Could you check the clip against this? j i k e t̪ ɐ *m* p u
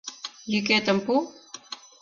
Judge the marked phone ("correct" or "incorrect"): correct